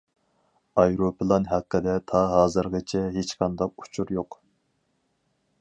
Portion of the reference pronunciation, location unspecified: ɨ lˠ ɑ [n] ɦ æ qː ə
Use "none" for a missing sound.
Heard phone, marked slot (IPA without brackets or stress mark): n